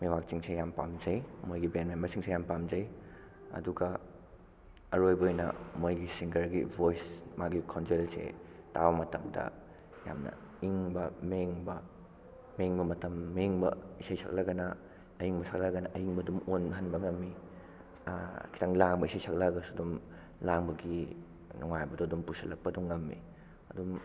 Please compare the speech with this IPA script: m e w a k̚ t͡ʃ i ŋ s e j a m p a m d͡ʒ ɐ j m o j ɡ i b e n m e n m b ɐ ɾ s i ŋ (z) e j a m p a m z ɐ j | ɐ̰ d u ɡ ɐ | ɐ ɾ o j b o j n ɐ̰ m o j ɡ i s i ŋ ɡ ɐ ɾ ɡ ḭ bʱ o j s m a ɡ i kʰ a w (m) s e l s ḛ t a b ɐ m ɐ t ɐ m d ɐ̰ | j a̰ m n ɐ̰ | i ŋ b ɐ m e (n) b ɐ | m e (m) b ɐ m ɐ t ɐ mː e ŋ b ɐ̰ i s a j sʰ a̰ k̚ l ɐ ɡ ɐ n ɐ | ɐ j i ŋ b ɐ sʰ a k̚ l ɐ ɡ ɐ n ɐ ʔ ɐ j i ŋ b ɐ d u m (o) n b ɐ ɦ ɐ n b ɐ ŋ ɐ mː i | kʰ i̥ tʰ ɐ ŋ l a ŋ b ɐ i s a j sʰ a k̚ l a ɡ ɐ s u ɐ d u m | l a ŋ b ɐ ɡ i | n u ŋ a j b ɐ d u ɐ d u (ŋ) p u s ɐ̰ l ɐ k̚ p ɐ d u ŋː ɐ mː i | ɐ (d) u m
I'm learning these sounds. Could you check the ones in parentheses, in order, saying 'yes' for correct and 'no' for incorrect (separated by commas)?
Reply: no, no, no, no, yes, no, yes